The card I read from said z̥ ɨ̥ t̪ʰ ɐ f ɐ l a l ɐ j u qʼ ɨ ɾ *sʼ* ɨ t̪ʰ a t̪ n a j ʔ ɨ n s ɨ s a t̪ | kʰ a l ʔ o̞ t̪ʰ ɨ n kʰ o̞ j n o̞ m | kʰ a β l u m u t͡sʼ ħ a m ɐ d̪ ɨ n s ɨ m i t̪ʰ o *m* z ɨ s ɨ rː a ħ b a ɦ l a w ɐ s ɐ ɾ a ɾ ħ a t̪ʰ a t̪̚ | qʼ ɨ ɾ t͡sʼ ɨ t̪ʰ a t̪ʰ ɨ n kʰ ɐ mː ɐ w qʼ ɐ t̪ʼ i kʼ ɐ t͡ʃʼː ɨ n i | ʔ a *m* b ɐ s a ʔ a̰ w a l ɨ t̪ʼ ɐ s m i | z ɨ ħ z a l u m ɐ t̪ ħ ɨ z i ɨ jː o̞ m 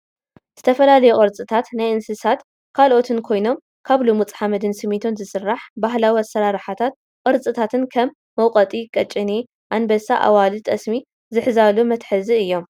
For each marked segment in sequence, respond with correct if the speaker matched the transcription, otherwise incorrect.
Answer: incorrect: t͡sʼ, incorrect: n, incorrect: n

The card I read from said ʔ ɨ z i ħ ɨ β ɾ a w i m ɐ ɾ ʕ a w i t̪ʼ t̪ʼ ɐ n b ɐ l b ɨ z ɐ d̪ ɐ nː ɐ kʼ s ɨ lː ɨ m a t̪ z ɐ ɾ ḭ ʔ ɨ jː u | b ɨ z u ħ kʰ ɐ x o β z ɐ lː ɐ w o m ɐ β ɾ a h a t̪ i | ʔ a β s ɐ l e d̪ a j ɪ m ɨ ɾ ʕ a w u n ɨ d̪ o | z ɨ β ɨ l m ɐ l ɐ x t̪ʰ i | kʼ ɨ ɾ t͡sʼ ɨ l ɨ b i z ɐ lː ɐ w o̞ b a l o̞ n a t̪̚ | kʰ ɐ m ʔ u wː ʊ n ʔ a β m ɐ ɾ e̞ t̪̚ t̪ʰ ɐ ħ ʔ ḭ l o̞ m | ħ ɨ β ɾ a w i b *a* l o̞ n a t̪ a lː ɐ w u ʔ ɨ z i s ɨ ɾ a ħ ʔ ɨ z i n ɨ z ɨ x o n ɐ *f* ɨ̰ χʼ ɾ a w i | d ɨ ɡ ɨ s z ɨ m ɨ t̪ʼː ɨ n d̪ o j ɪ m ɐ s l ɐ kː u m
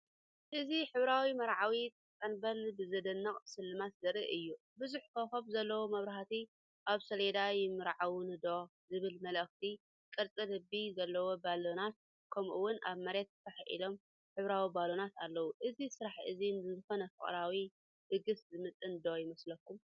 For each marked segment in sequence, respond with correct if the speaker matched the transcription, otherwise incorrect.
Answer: correct, correct

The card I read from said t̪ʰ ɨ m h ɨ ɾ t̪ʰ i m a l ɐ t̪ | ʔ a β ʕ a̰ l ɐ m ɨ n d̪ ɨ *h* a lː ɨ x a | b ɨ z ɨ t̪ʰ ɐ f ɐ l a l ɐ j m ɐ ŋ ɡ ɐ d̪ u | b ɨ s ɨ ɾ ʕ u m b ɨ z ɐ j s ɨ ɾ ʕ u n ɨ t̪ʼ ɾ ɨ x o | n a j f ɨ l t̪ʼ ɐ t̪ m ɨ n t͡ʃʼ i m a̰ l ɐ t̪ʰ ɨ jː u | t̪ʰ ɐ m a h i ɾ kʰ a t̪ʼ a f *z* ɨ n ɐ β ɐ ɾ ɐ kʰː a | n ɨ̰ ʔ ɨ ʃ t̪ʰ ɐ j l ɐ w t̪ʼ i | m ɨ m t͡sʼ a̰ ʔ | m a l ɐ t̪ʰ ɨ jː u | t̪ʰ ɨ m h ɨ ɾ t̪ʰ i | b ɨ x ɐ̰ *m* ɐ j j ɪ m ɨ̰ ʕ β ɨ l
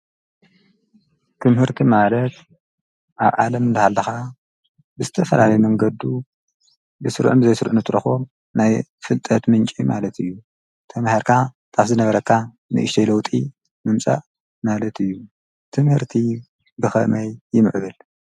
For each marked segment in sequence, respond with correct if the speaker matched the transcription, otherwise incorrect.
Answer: correct, correct, correct

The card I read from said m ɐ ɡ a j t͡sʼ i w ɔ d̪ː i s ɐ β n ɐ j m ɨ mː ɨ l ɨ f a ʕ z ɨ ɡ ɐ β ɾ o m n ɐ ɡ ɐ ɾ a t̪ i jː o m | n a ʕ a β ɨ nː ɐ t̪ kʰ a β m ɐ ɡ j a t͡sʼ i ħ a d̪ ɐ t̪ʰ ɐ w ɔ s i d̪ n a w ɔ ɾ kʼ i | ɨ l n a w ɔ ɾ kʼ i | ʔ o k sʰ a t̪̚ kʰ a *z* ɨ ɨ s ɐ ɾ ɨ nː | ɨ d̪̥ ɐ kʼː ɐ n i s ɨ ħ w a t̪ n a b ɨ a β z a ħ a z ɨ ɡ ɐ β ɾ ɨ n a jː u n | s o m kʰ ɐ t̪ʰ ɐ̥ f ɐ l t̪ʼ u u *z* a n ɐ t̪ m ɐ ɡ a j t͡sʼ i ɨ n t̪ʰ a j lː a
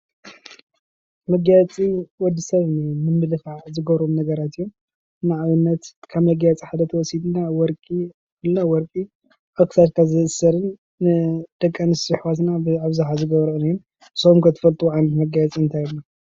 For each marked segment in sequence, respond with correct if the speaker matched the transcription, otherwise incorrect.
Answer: correct, incorrect: ʕ

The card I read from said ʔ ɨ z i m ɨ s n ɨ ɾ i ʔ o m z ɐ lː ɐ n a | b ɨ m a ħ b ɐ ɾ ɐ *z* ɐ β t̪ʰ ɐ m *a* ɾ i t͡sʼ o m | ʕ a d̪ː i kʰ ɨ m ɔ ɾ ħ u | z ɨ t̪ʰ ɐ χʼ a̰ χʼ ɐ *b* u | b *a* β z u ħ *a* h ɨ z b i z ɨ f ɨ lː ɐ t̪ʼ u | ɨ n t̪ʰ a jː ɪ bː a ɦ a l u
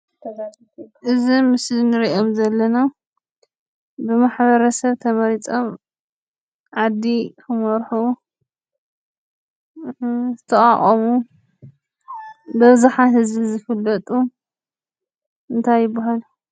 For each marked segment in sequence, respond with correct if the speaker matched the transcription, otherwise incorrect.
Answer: incorrect: s, incorrect: ɐ, incorrect: m, incorrect: ɐ, correct

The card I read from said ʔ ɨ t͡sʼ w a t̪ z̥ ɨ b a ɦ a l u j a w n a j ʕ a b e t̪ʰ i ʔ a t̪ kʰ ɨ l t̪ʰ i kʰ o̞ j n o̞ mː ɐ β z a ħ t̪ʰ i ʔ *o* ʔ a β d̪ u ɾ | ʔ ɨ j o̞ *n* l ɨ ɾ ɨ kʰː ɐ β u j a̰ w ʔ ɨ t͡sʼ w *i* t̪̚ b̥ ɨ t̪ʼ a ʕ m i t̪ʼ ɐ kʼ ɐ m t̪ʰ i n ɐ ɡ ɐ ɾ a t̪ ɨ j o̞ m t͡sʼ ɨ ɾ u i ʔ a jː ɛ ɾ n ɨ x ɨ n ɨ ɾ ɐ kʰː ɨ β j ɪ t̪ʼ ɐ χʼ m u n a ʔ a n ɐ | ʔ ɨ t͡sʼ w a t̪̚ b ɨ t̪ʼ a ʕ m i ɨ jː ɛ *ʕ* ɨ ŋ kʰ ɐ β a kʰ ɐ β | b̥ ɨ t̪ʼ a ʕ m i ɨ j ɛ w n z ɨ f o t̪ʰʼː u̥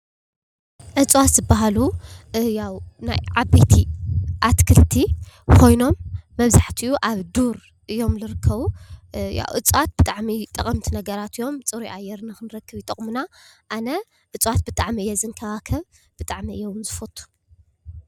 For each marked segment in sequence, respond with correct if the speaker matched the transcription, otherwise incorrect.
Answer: incorrect: u, incorrect: m, incorrect: a, incorrect: z

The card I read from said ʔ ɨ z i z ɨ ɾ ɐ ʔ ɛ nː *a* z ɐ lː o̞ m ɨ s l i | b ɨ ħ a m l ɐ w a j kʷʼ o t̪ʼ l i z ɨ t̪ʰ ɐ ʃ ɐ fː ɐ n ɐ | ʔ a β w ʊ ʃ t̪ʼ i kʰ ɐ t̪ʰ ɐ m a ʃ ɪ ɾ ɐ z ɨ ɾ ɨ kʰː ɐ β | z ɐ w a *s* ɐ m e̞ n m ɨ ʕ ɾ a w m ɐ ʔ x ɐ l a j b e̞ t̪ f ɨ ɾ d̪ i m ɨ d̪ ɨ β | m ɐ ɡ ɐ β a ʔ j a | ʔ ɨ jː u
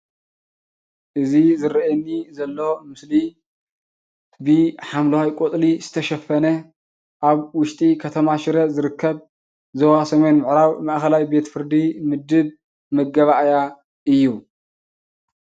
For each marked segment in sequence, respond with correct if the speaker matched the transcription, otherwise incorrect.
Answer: incorrect: i, correct

